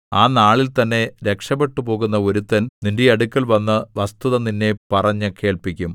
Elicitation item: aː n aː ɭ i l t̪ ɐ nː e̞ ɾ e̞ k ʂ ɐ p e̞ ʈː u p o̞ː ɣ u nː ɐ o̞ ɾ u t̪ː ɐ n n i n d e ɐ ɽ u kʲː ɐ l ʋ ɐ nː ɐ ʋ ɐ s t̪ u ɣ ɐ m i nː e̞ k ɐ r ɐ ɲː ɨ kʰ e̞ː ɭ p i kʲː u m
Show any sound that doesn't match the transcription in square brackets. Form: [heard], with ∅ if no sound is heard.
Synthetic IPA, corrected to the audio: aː n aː ɭ i l t̪ ɐ nː e̞ ɾ e̞ k ʂ ɐ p e̞ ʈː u p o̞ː ɣ u nː ɐ o̞ ɾ u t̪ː ɐ n n i n d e ɐ ɽ u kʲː ɐ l ʋ ɐ nː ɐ ʋ ɐ s t̪ u [ð] ɐ [n] i nː e̞ [p] ɐ r ɐ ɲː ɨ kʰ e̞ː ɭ p i kʲː u m